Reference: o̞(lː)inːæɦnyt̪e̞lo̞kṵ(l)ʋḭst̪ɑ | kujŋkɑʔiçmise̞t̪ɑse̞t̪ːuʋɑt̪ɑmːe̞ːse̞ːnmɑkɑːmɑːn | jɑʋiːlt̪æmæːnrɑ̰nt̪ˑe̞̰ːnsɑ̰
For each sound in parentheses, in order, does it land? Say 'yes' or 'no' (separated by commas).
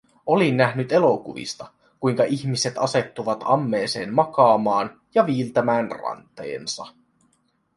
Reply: no, no